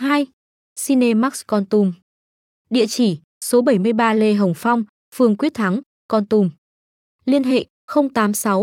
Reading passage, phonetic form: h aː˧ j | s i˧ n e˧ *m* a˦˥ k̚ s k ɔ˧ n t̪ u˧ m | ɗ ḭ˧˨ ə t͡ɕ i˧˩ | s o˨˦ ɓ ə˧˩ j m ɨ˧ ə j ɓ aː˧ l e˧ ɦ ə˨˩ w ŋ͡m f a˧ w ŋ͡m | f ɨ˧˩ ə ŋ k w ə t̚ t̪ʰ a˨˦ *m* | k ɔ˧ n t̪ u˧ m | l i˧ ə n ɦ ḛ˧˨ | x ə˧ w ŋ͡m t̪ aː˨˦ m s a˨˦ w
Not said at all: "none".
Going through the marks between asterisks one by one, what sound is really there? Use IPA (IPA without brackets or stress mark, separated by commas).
m, ŋ